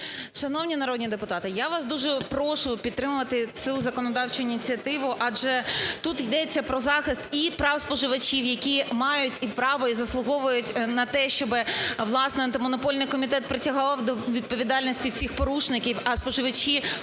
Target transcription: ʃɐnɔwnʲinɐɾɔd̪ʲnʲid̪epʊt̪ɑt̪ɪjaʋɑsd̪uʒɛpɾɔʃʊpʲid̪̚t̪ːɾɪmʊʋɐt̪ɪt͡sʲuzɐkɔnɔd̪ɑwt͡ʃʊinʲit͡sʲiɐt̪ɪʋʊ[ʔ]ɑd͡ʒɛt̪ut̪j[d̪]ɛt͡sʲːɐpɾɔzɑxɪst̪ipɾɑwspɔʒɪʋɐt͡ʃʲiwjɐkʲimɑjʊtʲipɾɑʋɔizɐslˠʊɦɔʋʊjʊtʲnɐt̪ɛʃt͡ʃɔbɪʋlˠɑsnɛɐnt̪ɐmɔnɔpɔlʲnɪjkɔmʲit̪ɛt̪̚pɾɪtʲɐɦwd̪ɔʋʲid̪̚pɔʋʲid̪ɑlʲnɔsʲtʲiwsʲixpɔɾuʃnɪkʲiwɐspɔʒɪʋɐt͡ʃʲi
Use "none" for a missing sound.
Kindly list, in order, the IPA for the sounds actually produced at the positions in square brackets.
ʔ, d̪

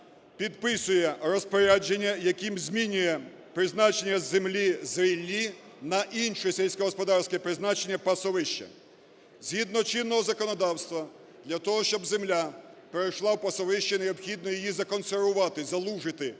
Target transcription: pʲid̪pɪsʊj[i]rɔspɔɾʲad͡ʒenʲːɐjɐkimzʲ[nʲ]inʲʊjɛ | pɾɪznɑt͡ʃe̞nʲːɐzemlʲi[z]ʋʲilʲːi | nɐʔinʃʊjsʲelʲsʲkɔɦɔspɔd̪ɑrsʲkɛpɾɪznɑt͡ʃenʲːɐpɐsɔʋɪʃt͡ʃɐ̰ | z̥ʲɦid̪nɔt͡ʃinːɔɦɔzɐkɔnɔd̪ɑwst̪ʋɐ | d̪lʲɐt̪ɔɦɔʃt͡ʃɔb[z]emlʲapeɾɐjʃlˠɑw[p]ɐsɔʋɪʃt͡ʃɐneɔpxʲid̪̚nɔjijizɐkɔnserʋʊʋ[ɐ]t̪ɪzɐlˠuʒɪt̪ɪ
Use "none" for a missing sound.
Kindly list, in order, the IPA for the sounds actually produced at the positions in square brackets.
ɛ, mʲ, z, z, p, ɑ

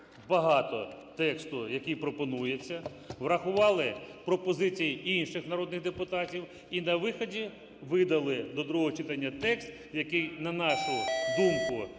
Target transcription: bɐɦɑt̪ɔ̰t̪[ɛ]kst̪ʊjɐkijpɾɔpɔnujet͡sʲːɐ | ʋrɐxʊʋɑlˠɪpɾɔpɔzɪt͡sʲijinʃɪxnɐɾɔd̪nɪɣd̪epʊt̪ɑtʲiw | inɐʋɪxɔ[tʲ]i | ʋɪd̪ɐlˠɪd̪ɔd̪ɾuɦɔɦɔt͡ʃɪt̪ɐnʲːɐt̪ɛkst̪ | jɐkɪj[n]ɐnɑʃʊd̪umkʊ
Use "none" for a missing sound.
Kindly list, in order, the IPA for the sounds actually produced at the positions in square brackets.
ɛ, dʲ, n

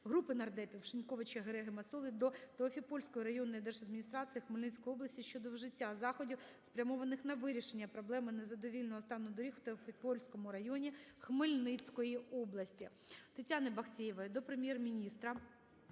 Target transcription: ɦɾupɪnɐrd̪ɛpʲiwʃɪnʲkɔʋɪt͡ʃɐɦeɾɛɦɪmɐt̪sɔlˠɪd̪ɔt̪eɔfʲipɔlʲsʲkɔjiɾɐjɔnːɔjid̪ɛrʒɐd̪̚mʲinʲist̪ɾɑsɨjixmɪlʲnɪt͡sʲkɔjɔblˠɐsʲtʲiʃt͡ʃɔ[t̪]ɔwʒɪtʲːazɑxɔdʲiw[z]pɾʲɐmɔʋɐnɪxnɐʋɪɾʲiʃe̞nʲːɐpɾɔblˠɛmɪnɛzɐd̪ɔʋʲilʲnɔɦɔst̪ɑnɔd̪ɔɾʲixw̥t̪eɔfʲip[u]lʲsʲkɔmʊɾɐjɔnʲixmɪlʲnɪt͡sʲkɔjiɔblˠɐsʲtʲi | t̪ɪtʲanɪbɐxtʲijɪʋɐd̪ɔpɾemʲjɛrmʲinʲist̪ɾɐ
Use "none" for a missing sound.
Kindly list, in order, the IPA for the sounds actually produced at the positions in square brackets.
d̪, s, ɔ

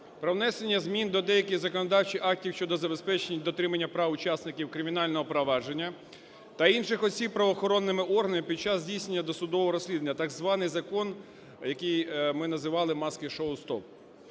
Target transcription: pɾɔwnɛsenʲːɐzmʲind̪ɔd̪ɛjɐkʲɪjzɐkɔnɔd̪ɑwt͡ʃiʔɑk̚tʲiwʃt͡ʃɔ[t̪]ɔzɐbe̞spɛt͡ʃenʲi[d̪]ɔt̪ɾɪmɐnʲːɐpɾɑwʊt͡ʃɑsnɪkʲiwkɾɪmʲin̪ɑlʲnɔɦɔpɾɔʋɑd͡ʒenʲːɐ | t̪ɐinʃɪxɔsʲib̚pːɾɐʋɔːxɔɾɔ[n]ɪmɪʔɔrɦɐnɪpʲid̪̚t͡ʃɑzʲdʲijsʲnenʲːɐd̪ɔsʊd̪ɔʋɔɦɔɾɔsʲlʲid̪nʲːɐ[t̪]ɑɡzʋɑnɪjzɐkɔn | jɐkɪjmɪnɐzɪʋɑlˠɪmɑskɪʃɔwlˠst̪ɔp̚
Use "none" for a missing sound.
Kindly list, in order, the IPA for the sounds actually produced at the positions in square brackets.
d̪, d̪, nː, t̪

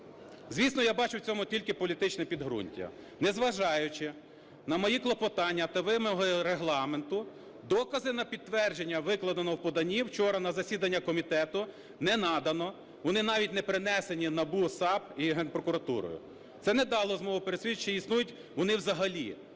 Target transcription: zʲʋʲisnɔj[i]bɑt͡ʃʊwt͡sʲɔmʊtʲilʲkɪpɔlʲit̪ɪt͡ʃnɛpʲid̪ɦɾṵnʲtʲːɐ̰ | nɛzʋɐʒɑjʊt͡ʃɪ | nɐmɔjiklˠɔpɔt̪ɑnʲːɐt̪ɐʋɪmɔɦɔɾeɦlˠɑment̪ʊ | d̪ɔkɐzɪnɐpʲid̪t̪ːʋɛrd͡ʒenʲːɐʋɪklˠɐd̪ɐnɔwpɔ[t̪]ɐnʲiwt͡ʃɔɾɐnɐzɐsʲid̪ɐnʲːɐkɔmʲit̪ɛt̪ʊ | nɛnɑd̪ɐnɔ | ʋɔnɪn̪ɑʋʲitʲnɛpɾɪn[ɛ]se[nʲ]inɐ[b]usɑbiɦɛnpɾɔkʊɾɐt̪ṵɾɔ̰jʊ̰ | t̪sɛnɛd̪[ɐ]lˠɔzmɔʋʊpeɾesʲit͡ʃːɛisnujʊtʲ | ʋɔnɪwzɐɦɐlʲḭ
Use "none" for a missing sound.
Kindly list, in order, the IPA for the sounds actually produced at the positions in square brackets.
a, d̪, ɛ, nʲ, b, ɑ

